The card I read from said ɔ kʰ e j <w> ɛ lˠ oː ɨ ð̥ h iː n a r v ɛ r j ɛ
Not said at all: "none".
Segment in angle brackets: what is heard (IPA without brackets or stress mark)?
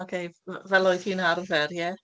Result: v